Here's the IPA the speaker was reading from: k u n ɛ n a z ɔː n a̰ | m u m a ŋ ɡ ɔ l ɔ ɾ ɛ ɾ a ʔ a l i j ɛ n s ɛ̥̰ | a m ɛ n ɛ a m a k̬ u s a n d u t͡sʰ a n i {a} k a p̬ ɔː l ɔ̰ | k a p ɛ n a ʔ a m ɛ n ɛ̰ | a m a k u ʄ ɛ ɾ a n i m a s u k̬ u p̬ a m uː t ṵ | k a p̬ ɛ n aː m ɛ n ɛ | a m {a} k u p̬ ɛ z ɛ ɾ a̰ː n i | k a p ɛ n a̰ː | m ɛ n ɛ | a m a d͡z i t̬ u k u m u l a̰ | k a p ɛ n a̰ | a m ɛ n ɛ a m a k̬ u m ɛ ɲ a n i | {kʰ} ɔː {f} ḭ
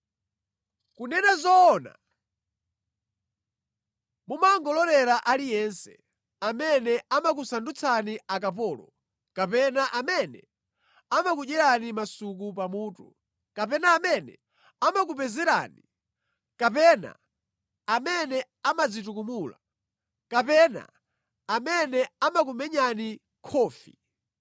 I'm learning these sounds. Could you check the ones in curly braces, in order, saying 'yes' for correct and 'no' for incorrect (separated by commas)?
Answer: yes, yes, yes, yes